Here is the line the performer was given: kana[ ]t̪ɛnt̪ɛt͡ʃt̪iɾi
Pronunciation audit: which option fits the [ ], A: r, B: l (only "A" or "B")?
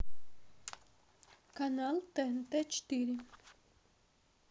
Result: B